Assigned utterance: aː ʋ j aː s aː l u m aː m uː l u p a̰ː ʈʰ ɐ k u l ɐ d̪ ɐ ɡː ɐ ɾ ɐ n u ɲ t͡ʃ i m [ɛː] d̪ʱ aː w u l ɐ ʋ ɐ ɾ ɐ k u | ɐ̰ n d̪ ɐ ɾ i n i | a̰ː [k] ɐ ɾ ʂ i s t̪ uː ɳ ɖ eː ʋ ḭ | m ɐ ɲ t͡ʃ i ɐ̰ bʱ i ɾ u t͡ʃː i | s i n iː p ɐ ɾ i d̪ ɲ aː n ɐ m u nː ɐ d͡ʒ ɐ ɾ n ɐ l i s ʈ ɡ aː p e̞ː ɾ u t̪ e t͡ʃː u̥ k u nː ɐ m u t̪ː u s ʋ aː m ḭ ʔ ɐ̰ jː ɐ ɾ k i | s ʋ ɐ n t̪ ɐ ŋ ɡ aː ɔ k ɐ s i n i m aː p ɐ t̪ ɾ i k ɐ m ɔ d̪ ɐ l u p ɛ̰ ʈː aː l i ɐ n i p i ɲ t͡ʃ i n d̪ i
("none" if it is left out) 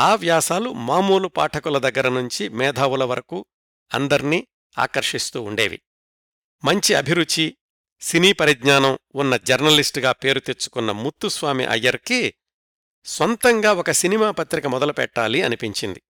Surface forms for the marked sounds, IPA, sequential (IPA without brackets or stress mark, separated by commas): ɛː, k